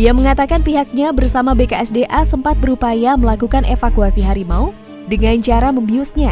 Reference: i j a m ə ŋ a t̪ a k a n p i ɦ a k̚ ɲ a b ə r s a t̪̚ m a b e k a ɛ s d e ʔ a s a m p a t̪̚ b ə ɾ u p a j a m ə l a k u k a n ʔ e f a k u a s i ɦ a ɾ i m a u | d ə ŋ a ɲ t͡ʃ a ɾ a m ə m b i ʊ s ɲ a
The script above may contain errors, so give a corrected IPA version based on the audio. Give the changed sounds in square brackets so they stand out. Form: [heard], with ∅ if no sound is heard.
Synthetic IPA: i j a m ə ŋ a t̪ a k a n p i ɦ a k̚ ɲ a b ə r s a [∅] m a b e k a ɛ s d e ʔ a s [ə] m p a t̪̚ b ə ɾ u p a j a m ə l a k u k a n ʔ e f a k u a s i ɦ a ɾ i m a u | d ə ŋ a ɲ t͡ʃ a ɾ a m ə m b i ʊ s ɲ a